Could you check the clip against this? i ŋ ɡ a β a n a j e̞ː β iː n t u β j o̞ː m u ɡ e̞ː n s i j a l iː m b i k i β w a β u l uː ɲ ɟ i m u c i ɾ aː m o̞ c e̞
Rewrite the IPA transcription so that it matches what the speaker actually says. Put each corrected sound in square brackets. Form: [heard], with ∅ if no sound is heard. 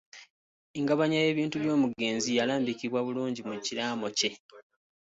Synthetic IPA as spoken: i ŋ ɡ a β a [ɲ] a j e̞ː β iː n t u β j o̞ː m u ɡ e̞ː n [z] i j a l [aː] m b i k i β w a β u l uː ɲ ɟ i m u c i ɾ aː m o̞ c e̞